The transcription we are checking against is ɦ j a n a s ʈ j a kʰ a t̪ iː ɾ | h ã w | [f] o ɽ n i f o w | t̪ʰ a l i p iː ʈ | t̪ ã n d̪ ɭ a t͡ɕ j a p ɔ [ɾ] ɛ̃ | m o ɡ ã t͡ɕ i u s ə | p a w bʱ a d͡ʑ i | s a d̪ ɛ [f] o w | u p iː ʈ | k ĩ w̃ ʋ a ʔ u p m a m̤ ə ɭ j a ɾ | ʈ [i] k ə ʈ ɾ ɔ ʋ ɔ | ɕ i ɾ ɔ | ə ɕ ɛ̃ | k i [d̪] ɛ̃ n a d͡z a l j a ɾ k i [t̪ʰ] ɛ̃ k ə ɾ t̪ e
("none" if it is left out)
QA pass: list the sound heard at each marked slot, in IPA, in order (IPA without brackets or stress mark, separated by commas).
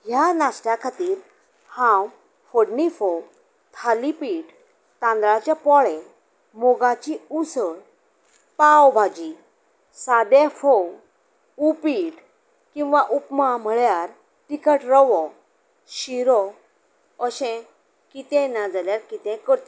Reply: f, ɭ, f, i, t̪, t̪